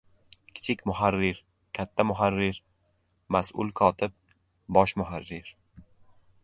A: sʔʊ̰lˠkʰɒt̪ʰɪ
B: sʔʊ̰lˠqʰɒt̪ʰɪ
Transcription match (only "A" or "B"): A